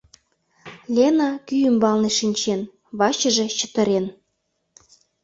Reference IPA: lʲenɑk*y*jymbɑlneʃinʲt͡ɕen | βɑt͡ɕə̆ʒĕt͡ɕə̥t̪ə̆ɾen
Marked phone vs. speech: correct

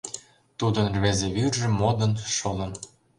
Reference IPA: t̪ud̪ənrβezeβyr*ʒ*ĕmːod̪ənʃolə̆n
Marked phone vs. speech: correct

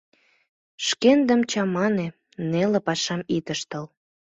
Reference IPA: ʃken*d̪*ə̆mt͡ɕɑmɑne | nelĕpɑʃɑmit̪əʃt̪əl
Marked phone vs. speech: correct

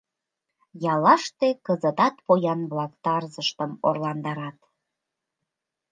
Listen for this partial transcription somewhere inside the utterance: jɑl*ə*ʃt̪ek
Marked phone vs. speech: incorrect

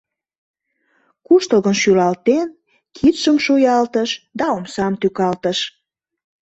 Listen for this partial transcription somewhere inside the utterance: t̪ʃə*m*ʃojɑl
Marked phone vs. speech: correct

